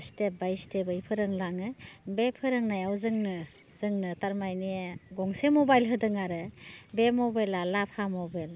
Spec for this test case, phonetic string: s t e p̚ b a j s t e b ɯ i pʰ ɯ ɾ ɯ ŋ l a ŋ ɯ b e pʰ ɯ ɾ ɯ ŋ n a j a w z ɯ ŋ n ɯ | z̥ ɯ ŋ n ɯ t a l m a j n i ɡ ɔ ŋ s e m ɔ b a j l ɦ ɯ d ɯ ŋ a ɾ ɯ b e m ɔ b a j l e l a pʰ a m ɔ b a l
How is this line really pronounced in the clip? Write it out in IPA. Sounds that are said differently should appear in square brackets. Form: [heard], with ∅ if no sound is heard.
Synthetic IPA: s t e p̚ b a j s t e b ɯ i pʰ ɯ ɾ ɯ ŋ l a ŋ ɯ b e pʰ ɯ ɾ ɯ ŋ n a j a w z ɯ ŋ n ɯ | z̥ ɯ ŋ n ɯ t a [ɾ] m a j n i ɡ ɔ ŋ s e m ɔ b a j l ɦ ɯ d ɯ ŋ a ɾ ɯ b e m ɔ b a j l [a] l a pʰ a m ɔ b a l